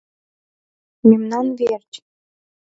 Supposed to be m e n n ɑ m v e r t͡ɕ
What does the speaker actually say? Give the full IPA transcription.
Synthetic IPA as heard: m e m n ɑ n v e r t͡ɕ